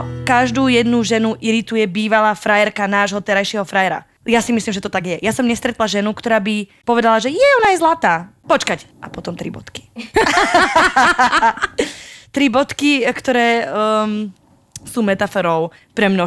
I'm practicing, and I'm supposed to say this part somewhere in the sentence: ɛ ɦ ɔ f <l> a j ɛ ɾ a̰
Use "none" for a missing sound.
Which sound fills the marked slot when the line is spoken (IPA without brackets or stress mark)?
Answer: ɾ